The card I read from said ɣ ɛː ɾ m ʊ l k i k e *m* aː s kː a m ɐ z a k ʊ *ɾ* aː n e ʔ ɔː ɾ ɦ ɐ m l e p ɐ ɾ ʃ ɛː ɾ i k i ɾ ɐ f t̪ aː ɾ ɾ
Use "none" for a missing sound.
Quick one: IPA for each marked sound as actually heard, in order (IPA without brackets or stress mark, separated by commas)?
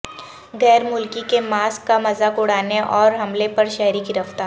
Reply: m, ɽ